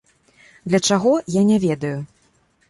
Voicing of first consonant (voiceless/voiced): voiced